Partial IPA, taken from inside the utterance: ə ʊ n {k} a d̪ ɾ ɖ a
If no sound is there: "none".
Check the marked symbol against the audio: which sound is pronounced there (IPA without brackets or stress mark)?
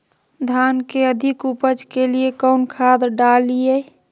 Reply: kʰ